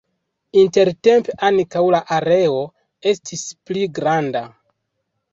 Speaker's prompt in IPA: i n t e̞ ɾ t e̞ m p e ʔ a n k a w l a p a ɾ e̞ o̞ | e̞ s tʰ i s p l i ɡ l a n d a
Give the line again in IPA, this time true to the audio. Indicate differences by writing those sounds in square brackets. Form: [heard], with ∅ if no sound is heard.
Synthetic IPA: i n t e̞ ɾ t e̞ m p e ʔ a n k a w l a [ʔ] a ɾ e̞ o̞ | e̞ s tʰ i s p l i ɡ [ɾ] a n d a